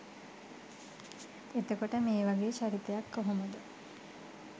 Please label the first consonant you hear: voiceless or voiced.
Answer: voiceless